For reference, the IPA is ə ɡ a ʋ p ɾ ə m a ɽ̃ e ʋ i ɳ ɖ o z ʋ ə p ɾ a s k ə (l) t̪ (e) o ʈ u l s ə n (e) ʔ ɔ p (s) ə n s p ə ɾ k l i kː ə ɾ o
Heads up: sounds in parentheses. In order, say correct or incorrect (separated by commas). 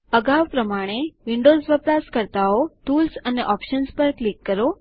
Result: incorrect, incorrect, correct, incorrect